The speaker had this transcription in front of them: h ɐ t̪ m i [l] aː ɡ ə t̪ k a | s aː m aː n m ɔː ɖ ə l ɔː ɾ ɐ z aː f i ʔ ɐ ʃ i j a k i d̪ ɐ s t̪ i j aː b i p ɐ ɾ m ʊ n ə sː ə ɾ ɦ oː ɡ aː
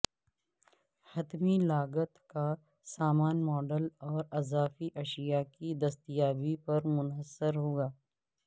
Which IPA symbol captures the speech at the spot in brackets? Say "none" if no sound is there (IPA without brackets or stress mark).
l